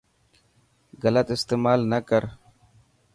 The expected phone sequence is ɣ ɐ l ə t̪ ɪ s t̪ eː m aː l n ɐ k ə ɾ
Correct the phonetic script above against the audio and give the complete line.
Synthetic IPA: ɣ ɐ l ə t̪ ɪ s t̪ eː m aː l n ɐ k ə ɾ